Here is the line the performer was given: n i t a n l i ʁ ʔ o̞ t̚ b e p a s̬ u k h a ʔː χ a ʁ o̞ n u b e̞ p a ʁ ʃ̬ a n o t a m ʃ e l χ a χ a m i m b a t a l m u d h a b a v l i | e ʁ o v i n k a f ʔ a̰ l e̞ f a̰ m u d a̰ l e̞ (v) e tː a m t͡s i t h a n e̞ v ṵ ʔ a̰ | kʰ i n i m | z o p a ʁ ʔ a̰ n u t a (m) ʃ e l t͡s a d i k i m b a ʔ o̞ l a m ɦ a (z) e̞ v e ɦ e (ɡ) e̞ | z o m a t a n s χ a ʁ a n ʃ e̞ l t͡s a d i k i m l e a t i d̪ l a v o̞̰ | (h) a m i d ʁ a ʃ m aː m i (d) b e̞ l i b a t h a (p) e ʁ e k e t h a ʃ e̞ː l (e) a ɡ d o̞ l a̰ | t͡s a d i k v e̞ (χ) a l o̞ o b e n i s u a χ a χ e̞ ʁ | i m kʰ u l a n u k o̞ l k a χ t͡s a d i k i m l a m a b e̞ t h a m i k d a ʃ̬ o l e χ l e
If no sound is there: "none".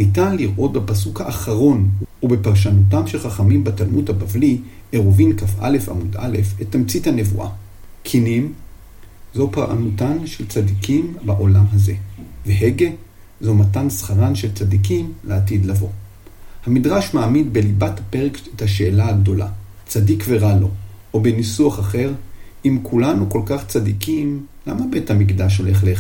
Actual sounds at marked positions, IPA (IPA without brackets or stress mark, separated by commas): f, n, z, ɡ, h, d, p, a, ʁ